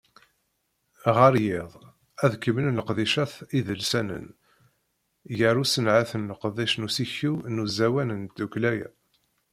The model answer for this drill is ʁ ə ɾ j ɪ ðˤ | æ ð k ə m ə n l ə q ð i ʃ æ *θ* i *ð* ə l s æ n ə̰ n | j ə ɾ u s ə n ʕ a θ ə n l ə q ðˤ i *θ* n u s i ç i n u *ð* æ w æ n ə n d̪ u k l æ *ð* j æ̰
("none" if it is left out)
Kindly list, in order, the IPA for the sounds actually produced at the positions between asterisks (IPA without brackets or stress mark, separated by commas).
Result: θ, ð, ʃ, z, none